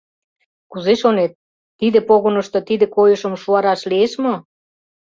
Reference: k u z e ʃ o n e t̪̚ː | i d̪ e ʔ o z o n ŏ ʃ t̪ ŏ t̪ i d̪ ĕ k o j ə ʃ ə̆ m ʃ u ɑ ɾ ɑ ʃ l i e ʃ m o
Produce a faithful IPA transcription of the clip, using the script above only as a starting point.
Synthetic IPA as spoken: k u z e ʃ o n e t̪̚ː | i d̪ e p o ɣ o n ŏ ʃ t̪ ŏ t̪ i d̪ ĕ k o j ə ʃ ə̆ m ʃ u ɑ ɾ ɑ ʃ l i e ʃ m o

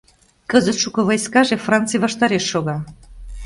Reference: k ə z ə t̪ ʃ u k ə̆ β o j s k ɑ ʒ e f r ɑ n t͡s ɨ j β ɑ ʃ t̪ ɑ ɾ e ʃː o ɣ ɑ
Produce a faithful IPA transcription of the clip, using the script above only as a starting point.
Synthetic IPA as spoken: k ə z ə t̪ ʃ u k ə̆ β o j s k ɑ ʒ e f r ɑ n t͡s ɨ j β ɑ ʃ t̪ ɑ ɾ e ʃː o ɣ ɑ

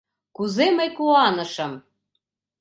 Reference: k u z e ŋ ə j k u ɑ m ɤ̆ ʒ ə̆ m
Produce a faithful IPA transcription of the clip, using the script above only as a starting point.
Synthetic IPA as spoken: k u z e m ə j k u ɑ n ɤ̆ ʃ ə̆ m

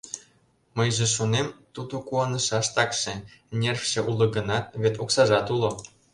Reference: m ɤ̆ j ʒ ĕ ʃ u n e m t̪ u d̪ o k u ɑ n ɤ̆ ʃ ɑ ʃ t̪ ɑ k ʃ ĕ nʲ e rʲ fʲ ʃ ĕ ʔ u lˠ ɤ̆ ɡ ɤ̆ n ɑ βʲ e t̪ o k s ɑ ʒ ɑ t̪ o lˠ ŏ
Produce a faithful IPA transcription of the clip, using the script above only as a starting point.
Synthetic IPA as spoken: m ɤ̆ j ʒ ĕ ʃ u n e m t̪ u d̪ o k u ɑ n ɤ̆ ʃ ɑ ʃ t̪ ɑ k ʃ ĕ nʲ e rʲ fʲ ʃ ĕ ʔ u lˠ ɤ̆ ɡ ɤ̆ n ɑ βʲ e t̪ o k s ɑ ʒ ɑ t̪ u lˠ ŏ

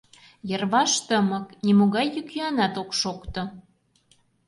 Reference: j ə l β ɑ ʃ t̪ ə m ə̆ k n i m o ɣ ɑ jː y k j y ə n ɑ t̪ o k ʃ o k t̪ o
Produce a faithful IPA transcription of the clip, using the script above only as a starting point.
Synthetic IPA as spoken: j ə r β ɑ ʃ t̪ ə m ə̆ k n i m o ɣ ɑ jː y k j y ɑ n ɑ t̪ o k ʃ o k t̪ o

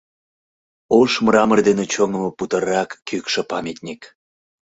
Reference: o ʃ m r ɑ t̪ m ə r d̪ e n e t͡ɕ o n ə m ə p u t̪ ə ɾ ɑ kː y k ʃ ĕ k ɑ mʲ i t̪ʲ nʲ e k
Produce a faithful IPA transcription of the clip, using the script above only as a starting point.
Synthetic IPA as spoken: o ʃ m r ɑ m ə r d̪ e n e t͡ɕ o ŋ ə m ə p u t̪ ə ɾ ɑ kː y k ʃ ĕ p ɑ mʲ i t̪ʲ nʲ i k

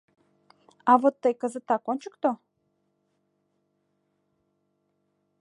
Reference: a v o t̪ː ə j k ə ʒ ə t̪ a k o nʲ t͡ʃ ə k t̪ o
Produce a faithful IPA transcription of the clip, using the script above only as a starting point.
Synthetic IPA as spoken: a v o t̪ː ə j k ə z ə t̪ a k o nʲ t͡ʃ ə k t̪ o

